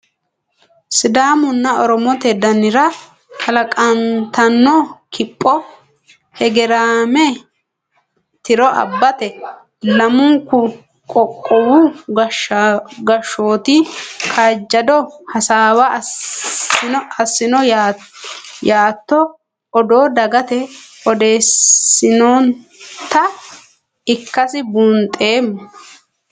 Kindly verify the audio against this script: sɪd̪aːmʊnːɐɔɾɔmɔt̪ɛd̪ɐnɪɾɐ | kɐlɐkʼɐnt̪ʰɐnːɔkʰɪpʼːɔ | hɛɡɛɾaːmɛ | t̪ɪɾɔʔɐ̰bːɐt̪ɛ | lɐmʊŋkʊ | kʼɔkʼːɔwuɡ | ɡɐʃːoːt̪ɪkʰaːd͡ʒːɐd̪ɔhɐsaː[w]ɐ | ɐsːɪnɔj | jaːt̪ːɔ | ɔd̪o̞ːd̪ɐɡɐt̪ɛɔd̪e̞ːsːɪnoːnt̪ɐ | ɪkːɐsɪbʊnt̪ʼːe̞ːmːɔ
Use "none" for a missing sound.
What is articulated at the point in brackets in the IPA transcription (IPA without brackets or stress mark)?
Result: w